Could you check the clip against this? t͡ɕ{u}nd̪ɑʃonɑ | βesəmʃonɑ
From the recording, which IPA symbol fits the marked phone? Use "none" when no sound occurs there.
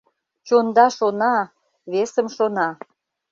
o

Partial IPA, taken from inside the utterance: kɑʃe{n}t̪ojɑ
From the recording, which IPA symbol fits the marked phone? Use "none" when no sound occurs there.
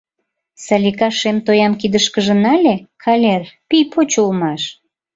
m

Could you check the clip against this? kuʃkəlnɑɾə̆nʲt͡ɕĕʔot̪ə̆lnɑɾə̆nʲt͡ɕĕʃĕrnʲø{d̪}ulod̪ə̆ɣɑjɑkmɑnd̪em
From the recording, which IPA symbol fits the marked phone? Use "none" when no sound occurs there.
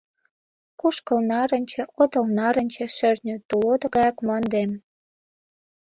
t̪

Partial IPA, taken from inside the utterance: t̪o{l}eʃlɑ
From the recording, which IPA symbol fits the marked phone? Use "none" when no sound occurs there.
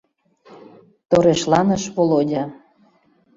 ɾ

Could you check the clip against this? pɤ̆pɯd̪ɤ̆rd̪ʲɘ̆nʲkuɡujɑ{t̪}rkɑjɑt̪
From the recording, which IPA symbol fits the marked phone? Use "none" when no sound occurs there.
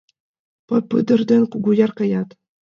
none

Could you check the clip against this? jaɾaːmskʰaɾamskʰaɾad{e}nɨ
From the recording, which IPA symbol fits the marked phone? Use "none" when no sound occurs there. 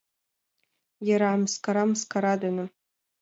a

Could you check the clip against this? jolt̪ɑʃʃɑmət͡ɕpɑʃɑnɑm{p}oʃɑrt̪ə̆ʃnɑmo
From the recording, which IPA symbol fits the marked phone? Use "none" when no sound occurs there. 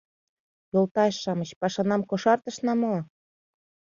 k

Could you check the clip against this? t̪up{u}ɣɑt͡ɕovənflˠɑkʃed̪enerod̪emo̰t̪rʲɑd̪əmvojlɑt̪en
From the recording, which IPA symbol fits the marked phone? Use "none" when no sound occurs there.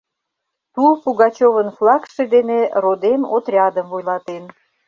u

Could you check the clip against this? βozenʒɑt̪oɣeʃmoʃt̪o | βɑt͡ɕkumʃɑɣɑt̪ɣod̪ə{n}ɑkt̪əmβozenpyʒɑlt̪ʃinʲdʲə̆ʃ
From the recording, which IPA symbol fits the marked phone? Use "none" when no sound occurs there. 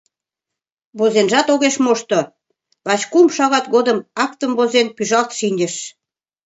m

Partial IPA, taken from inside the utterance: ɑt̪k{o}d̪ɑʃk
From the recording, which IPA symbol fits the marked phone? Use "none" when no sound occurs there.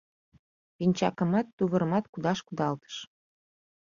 u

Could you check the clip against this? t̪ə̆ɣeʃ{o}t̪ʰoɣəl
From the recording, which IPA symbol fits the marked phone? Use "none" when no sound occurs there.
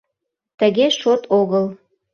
o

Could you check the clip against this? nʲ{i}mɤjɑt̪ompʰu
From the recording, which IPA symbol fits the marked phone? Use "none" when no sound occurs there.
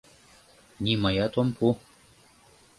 i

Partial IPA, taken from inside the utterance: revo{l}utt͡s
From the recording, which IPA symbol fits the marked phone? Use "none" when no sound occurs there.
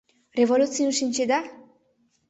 l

